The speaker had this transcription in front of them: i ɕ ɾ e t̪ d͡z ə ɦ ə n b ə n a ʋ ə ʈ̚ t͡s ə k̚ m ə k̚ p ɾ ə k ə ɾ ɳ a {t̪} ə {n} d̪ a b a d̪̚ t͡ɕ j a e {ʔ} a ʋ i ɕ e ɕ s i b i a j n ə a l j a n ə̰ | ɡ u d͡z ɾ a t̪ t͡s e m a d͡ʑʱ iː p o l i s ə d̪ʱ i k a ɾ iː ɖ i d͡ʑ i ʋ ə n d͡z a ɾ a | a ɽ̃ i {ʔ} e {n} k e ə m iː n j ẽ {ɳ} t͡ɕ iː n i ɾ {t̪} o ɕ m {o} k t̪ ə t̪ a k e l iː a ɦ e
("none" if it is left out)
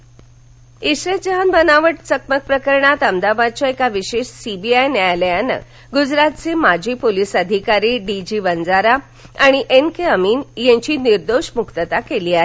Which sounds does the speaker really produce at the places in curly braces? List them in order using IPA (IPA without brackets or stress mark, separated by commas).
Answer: t̪, m, k, ʔ, n, ɲ, d̪, u